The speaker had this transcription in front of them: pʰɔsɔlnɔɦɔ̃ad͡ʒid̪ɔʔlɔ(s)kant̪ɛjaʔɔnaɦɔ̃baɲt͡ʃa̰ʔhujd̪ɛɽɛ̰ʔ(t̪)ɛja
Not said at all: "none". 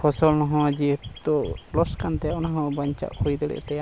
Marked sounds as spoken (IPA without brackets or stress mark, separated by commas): s, t̪